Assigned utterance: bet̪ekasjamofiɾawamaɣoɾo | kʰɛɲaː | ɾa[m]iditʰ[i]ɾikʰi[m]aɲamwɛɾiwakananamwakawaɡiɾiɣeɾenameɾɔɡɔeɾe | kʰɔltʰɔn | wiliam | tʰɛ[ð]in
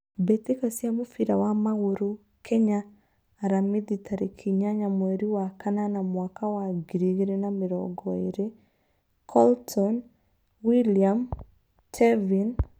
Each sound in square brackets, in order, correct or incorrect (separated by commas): correct, incorrect, incorrect, incorrect